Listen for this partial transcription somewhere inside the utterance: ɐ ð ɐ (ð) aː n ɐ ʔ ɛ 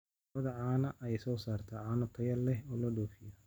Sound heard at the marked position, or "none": ʕ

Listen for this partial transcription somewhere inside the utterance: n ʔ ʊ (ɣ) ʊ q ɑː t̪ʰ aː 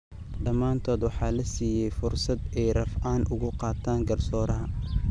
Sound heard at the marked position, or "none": ɣ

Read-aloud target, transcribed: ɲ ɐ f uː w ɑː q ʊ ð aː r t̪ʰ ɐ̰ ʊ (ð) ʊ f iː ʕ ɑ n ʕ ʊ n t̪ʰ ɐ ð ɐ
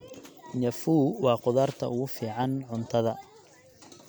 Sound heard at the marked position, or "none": ɣ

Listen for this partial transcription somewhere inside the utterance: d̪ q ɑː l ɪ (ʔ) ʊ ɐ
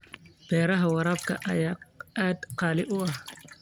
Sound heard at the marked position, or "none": ʔ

